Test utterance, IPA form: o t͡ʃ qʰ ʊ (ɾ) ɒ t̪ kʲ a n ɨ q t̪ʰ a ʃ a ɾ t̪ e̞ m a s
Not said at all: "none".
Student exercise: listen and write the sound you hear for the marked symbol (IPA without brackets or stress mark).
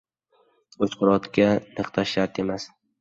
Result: ɾ